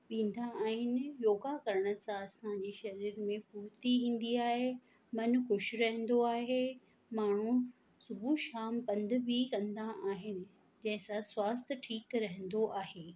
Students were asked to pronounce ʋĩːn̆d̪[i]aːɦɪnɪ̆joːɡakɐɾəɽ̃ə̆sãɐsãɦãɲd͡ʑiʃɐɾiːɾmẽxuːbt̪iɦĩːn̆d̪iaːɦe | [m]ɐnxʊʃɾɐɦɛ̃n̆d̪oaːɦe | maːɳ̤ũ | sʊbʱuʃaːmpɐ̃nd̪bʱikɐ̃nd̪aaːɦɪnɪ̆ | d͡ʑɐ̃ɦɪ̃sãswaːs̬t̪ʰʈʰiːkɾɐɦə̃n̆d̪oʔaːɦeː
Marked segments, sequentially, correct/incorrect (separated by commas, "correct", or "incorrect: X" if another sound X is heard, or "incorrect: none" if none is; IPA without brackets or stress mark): incorrect: a, correct